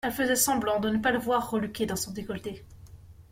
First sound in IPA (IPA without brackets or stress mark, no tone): ɛ